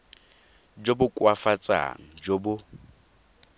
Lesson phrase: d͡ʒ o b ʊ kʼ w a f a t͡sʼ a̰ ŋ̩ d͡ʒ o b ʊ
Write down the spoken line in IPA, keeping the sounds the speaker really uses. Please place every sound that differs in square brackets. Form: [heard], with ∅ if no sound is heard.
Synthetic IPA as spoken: d͡ʒ o b ʊ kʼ w a f a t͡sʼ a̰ ŋ̩ d͡ʒ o b ʊ